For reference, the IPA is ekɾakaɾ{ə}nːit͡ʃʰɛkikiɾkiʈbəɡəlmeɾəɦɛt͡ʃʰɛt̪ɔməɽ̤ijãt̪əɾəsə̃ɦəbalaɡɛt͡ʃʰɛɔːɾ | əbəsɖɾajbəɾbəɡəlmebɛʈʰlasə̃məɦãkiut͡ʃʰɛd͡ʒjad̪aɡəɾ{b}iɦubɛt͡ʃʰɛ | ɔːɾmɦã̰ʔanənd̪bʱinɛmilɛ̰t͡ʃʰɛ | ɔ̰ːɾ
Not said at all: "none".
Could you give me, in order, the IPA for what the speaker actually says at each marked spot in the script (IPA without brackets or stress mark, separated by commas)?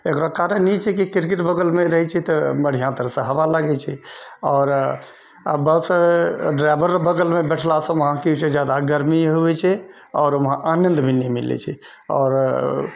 ə, m